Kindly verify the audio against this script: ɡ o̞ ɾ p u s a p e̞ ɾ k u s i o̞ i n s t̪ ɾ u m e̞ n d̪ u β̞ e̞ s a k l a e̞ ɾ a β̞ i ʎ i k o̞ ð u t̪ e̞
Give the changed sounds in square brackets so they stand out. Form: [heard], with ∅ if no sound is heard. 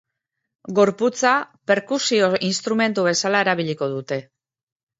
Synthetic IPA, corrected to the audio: ɡ o̞ ɾ p u [t͡s] a p e̞ ɾ k u s i o̞ i n s t̪ ɾ u m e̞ n [t̪] u β̞ e̞ s a [∅] l a e̞ ɾ a β̞ i ʎ i k o̞ ð u t̪ e̞